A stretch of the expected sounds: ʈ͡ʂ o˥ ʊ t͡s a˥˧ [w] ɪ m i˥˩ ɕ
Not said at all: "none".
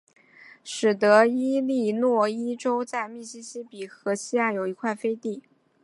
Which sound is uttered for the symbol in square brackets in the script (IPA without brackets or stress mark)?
none